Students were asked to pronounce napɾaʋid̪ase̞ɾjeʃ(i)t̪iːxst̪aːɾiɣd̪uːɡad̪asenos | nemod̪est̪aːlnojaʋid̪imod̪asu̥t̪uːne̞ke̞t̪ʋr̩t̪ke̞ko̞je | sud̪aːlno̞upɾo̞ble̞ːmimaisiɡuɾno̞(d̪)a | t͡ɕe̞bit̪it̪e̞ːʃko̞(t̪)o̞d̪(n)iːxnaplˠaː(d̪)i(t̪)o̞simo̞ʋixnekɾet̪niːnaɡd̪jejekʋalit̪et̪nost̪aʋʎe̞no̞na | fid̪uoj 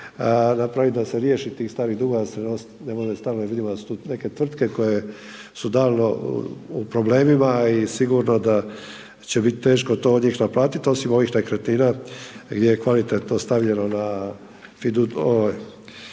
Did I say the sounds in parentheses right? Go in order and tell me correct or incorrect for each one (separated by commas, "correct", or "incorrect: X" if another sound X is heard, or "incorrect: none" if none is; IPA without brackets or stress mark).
correct, correct, correct, incorrect: ɲ, incorrect: t̪, correct